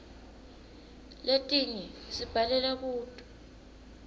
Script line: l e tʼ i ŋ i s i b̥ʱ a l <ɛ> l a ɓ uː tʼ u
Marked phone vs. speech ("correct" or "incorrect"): correct